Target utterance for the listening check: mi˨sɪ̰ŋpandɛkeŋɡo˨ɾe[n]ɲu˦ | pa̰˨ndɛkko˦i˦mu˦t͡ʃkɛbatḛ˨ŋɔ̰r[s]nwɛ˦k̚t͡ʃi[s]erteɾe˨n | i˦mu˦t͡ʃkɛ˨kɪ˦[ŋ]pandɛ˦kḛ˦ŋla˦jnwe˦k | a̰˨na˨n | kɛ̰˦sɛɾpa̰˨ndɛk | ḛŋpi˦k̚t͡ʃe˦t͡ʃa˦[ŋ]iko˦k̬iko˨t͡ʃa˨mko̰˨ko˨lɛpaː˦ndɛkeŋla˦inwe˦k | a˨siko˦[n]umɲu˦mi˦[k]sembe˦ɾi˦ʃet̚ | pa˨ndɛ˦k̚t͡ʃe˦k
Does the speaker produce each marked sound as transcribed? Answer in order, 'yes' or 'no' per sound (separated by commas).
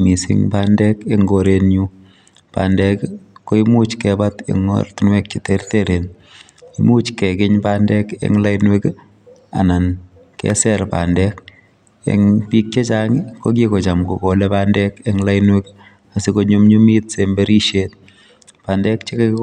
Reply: yes, no, no, no, yes, no, no